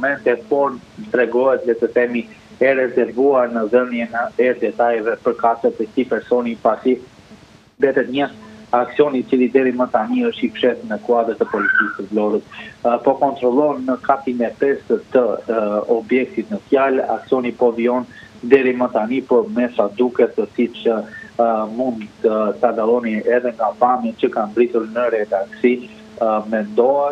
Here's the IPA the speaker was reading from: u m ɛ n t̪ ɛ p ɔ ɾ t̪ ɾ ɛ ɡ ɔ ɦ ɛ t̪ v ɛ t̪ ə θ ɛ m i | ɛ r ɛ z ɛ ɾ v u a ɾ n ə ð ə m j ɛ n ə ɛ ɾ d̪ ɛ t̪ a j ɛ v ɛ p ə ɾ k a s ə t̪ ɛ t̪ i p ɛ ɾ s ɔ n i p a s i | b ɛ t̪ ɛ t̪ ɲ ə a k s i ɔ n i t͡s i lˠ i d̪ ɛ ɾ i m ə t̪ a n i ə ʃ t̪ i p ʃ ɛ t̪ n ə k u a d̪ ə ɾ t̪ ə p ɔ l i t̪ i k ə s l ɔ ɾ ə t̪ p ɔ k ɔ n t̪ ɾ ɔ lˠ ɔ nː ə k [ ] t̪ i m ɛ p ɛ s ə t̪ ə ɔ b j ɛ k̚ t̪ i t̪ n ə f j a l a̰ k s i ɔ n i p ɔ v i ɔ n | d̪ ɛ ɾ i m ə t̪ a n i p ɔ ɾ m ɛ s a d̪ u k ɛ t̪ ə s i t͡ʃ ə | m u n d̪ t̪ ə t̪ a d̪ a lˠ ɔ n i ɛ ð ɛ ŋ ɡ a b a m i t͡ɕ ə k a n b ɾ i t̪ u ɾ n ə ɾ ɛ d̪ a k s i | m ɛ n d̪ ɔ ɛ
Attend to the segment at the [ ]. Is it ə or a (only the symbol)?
a